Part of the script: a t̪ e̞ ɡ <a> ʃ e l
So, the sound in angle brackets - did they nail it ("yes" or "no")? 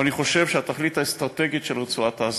no